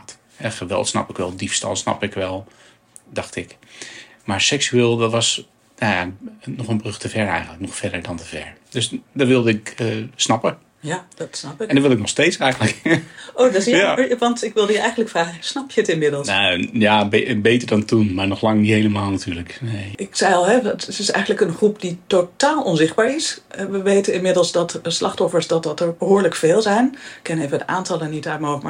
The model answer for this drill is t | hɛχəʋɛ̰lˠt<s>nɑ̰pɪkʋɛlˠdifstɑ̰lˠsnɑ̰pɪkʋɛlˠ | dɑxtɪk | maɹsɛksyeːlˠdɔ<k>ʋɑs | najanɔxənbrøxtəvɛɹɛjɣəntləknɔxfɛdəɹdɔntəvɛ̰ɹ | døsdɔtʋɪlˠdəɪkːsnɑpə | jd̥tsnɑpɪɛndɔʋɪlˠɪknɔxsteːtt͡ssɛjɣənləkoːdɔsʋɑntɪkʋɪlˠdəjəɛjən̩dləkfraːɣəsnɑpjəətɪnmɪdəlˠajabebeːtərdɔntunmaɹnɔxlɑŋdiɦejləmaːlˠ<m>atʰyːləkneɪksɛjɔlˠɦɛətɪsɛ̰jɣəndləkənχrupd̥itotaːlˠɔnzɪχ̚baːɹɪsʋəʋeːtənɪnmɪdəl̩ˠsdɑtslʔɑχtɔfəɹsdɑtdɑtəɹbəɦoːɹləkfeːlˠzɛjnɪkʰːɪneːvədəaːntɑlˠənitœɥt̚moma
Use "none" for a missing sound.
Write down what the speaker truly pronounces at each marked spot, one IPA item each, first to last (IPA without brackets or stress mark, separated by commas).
s, t, n